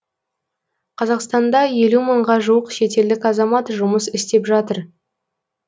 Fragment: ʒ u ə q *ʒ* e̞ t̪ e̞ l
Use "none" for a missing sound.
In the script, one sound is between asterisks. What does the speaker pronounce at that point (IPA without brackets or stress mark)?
ʃ